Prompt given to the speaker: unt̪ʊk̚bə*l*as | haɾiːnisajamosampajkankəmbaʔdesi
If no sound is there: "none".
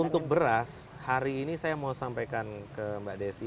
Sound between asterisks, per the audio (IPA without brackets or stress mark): ɾ